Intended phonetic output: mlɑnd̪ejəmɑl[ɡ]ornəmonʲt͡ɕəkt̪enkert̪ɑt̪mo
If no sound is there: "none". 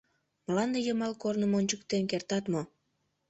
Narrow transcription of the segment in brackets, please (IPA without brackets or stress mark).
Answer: k